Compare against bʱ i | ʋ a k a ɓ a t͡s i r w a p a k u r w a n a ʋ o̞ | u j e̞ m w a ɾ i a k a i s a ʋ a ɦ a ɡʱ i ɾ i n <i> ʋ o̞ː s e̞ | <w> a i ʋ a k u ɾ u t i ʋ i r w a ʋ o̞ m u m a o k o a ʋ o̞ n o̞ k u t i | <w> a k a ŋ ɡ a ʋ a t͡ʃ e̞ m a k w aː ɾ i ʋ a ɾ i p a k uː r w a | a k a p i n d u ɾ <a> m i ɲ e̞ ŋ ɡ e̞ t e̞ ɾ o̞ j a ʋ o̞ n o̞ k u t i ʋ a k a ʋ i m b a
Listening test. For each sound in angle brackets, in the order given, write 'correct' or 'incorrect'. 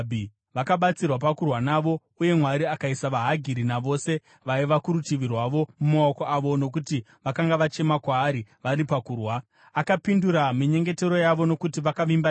incorrect, incorrect, incorrect, correct

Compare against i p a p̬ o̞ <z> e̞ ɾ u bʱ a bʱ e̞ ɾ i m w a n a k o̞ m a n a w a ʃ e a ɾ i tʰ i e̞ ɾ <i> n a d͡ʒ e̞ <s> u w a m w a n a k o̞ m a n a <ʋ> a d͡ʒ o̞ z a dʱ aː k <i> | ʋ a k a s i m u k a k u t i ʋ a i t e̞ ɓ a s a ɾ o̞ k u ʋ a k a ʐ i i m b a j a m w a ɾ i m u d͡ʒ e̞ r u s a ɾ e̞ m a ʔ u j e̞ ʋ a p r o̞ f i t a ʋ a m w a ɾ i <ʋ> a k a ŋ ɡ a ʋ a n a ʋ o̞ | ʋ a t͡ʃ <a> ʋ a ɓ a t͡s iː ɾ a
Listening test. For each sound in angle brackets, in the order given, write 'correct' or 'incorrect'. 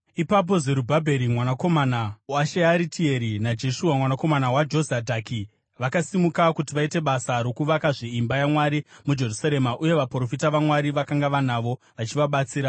correct, correct, incorrect, incorrect, correct, correct, incorrect

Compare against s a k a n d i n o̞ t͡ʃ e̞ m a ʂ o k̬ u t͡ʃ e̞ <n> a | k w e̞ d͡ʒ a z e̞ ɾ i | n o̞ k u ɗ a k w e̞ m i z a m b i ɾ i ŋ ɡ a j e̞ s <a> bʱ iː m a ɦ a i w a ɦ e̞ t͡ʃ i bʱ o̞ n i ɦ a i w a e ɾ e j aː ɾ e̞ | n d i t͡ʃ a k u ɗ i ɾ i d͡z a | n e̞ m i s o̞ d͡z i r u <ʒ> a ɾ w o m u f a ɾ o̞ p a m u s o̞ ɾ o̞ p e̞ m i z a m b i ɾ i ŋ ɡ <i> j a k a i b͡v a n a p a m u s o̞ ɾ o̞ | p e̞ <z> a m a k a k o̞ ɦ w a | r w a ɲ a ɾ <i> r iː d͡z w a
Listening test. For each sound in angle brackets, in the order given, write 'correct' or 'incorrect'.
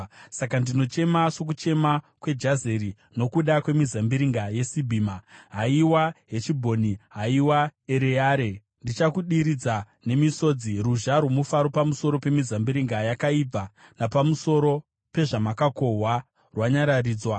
incorrect, incorrect, correct, incorrect, incorrect, incorrect

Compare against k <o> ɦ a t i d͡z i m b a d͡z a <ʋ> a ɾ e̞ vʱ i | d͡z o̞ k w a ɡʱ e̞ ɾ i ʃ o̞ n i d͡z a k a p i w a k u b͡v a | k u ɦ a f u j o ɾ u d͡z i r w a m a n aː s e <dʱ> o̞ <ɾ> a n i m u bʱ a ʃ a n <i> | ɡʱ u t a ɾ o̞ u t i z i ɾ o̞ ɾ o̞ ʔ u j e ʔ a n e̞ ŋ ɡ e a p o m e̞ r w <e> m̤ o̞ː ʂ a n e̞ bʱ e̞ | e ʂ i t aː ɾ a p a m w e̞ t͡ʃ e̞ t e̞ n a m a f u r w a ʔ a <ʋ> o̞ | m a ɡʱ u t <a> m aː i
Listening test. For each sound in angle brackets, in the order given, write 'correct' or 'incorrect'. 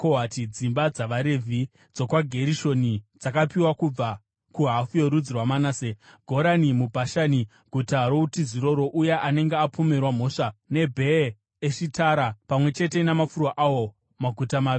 correct, correct, incorrect, correct, correct, incorrect, incorrect, correct

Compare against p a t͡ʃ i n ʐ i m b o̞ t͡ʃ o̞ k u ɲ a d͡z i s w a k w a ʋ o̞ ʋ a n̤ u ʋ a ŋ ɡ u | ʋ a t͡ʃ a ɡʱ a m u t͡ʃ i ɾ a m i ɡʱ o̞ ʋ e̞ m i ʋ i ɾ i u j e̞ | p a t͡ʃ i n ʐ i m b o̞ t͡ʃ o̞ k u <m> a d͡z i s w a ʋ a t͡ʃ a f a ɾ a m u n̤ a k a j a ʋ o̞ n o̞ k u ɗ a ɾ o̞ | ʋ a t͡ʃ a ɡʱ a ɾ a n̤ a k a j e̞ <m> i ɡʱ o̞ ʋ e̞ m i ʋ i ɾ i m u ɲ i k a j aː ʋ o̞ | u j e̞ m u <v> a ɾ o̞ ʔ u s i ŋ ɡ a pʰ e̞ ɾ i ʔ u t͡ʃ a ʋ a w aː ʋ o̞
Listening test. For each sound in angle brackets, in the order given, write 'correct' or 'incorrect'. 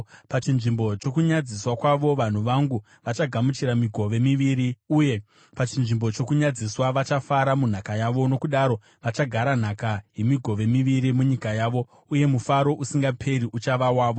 incorrect, correct, incorrect

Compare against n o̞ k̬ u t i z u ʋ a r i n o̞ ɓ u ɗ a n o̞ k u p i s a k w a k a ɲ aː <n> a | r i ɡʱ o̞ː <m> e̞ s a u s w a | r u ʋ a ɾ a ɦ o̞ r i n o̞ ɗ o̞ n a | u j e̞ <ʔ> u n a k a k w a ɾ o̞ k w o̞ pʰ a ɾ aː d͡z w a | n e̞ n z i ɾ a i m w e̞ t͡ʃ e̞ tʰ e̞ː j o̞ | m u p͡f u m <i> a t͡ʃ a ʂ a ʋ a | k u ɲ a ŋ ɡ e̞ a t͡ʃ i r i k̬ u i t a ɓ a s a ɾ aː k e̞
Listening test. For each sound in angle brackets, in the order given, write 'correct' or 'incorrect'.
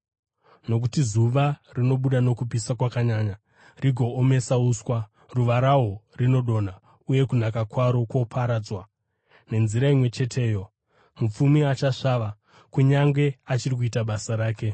incorrect, correct, incorrect, correct

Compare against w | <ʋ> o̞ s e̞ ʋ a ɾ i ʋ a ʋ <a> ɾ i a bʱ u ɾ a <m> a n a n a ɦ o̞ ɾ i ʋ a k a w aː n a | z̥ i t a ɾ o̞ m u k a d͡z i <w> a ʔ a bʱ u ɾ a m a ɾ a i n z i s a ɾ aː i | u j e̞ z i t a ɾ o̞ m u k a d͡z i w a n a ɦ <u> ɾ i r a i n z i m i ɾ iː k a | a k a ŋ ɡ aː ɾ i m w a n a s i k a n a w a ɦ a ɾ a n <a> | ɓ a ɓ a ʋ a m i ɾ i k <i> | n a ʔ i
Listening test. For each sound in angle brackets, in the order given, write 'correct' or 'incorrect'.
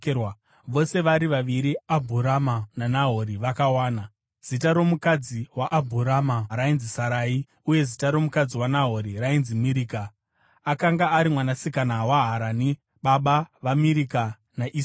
correct, incorrect, correct, correct, incorrect, incorrect, incorrect

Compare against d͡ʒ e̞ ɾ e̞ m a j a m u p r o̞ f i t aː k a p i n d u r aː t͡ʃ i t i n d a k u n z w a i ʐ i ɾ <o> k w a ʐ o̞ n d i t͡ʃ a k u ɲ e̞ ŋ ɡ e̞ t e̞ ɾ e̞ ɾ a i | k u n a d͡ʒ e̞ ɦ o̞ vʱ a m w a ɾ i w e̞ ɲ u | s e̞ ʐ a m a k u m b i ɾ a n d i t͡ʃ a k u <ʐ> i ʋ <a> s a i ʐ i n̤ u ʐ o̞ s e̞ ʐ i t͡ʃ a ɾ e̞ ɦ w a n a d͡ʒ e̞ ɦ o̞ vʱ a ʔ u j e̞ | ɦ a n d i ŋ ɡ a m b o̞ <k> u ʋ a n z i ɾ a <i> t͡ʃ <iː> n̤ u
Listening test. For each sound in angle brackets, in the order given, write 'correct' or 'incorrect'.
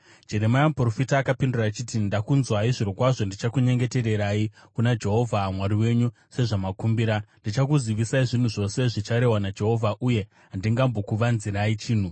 correct, incorrect, incorrect, correct, correct, correct

